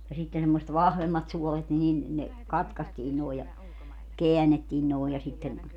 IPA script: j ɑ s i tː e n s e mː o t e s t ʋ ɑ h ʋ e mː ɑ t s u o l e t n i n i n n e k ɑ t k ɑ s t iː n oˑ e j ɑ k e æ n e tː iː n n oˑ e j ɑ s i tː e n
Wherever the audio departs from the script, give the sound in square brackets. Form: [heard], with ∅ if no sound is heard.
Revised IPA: j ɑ s i tː e n s e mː o [s] e [∅] t ʋ ɑ h ʋ e mː ɑ t s u o l e t n i n i n n e k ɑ t k ɑ s t iː n oˑ e j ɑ k e æ n e tː iː n n oˑ e j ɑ s i tː e n